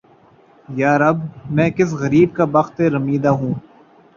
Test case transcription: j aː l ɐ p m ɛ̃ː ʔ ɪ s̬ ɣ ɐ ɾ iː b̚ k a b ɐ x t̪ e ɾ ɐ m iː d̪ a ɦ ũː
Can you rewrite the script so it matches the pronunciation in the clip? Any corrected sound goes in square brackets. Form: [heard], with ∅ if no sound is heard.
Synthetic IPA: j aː [ɾ] ɐ [b] m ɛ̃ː [k] ɪ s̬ ɣ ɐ ɾ iː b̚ k a b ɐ x t̪ e ɾ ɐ m iː d̪ a ɦ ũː